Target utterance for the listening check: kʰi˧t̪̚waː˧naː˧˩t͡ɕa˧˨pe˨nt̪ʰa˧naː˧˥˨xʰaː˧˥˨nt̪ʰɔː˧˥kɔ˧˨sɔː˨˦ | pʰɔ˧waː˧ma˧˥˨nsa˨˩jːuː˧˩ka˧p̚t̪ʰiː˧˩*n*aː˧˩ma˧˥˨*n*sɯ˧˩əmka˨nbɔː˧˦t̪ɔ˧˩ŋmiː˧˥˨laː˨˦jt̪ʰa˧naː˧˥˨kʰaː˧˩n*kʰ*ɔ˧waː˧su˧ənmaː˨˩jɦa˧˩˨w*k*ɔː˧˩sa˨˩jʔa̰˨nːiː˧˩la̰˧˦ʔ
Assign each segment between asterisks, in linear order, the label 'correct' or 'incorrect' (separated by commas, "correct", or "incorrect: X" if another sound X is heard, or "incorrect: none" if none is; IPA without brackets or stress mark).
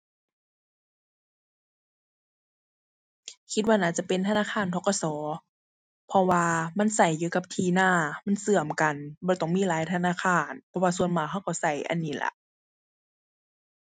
correct, correct, incorrect: pʰ, correct